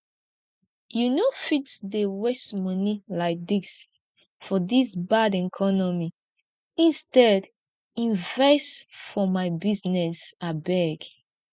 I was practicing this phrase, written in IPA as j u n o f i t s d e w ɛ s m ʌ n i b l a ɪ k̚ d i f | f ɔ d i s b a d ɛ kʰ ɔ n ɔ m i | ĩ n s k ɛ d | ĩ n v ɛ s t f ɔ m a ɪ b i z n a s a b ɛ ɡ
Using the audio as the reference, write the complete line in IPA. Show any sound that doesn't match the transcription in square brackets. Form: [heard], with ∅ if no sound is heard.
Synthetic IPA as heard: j u n o f i t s d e w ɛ s m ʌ n i [∅] l a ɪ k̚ d i [s] | f ɔ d i s b a d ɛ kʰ ɔ n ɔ m i | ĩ n s [t] ɛ d | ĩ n v ɛ s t f ɔ m a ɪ b i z n [ɛ] s a b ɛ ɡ